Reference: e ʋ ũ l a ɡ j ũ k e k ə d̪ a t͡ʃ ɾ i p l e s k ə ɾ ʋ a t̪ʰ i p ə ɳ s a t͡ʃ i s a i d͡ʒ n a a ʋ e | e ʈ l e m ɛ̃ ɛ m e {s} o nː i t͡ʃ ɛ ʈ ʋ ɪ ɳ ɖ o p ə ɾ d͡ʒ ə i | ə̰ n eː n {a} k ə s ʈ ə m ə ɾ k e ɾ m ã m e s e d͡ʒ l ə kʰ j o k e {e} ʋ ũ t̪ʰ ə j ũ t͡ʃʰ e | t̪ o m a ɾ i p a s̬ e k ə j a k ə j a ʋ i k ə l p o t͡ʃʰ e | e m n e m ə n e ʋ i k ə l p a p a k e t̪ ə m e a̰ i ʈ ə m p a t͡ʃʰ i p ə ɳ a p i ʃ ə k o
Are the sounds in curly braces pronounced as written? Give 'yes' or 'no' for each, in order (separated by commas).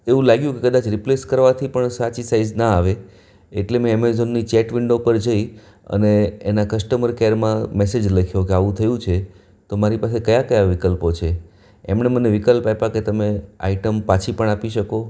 no, yes, no